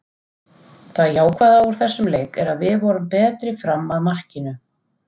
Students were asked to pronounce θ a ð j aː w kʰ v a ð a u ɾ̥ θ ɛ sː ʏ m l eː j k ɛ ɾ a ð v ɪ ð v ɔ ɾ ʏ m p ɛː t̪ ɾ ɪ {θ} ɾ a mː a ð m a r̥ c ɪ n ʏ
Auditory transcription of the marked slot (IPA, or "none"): f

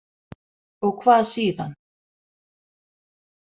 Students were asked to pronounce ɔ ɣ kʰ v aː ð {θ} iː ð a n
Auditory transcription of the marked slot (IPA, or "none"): s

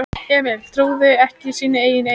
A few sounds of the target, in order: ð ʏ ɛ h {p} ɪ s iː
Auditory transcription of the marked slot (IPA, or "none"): c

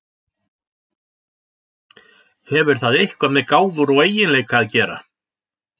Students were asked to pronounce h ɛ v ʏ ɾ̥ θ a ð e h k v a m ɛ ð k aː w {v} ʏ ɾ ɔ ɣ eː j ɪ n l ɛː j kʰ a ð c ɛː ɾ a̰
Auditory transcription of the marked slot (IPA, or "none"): ð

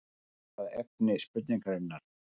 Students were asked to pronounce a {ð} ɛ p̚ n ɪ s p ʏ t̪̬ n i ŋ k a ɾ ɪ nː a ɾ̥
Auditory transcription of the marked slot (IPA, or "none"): ð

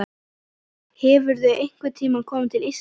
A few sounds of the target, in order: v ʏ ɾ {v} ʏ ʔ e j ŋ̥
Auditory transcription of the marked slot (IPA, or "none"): ð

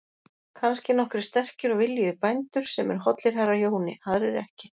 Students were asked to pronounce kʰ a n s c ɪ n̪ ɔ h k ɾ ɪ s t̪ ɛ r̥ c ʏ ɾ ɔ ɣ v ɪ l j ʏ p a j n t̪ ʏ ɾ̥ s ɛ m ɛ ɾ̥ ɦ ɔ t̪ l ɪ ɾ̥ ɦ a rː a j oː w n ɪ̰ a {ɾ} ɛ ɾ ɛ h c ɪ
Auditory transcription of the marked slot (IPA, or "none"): ɾ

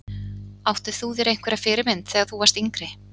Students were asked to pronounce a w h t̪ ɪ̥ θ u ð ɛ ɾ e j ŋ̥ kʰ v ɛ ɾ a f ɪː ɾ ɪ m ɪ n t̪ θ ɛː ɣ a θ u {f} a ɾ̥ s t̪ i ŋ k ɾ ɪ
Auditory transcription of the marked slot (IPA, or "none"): v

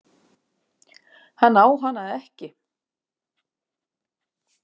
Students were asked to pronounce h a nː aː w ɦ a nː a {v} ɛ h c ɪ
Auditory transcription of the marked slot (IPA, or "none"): ð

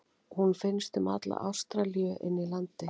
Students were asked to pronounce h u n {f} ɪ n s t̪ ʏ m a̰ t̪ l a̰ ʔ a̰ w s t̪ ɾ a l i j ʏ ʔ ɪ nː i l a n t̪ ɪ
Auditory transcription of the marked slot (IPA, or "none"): f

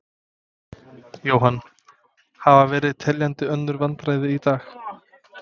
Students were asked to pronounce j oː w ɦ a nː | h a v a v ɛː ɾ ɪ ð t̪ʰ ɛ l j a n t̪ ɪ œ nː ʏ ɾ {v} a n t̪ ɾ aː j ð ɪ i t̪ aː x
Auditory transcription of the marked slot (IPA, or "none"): v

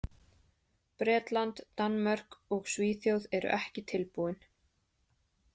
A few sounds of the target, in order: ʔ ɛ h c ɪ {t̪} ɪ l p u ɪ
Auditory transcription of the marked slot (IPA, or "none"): t̪ʰ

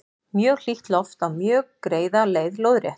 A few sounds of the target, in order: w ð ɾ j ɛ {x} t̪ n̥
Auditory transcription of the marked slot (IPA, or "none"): h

